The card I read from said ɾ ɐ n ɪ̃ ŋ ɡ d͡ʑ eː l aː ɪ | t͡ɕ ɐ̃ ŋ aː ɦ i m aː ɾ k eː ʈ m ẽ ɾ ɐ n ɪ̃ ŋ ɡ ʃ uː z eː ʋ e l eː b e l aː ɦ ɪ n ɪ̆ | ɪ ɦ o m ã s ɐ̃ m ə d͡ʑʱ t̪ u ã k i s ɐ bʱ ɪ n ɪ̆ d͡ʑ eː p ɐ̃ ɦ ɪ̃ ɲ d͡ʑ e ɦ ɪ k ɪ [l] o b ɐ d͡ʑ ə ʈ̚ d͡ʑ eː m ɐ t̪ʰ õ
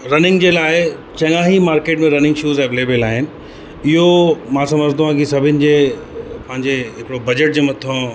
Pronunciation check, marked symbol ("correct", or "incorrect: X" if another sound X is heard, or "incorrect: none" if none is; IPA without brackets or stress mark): incorrect: ɽ